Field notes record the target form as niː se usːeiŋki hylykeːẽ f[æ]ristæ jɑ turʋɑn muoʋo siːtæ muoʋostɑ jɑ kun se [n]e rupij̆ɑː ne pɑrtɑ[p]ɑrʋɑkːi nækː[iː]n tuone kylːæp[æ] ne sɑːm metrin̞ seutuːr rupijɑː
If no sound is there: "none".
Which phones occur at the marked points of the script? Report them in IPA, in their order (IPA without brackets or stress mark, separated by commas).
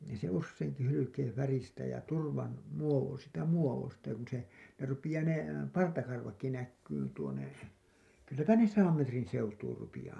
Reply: æ, n, k, yː, æ